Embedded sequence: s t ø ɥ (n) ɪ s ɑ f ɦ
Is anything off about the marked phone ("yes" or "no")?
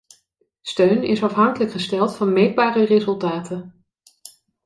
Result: no